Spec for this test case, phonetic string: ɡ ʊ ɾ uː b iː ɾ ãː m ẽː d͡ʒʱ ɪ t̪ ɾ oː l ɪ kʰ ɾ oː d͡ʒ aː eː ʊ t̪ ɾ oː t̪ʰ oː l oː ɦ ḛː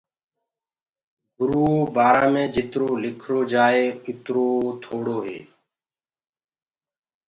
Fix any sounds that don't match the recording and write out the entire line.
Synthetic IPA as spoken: ɡ ʊ ɾ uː b aː ɾ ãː m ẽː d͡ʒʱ ɪ t̪ ɾ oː l ɪ kʰ ɾ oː d͡ʒ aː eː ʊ t̪ ɾ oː t̪ʰ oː ɽ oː ɦ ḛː